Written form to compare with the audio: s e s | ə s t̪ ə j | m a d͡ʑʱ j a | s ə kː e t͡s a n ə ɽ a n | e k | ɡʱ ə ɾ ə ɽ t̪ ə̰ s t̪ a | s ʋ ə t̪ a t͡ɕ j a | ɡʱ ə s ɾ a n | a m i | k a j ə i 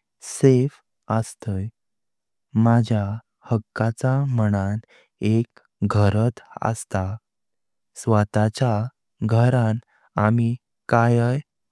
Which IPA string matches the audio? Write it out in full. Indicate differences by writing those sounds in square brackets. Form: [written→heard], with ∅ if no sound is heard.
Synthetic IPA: s e [s→f] | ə s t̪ ə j | m a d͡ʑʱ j a | [s→h] ə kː [e→a] t͡s a [n→m] ə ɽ a n | e k | ɡʱ ə ɾ ə [ɽ→∅] t̪ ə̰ s t̪ a | s ʋ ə t̪ a t͡ɕ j a | ɡʱ ə [s→∅] ɾ a n | a m i | k a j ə [i→j]